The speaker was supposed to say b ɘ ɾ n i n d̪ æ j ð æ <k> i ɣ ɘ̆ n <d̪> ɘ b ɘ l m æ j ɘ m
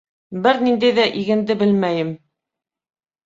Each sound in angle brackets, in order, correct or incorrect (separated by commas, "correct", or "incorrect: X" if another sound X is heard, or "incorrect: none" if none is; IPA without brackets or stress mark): incorrect: ʔ, correct